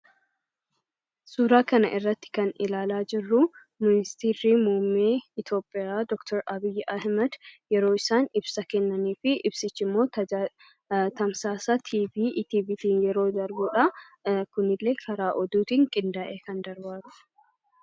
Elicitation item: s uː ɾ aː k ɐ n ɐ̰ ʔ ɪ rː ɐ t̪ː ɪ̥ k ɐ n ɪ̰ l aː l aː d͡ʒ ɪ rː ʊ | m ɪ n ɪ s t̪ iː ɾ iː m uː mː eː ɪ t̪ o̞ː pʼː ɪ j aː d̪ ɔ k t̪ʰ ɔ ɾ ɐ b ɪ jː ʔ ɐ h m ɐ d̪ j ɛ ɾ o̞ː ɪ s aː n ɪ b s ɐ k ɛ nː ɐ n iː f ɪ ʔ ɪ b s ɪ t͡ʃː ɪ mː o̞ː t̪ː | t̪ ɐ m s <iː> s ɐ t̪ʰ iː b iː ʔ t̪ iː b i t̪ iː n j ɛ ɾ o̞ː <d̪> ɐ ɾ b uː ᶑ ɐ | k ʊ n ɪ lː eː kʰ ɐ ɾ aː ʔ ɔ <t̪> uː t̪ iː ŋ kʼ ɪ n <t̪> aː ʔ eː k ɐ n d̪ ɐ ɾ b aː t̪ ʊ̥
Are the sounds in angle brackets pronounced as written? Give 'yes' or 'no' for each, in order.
no, yes, no, no

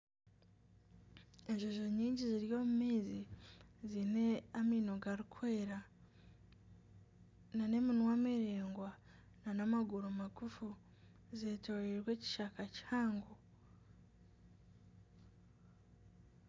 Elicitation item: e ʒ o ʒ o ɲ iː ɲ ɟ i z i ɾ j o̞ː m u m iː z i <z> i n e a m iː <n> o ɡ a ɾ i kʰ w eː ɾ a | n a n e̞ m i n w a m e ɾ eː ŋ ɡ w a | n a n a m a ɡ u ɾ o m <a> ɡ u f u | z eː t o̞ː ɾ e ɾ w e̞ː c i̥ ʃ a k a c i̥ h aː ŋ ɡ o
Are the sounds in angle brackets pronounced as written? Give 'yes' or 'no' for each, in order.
yes, yes, yes

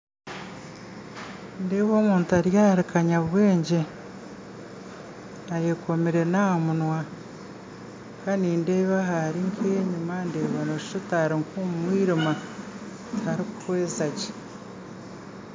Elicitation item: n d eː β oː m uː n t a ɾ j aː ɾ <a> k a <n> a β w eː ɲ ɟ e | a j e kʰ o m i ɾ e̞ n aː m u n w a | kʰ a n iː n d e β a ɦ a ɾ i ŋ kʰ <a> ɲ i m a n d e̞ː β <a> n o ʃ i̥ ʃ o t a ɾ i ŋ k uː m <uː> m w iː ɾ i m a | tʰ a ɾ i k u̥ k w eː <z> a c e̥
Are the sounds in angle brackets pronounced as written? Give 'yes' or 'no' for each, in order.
no, no, no, yes, no, yes

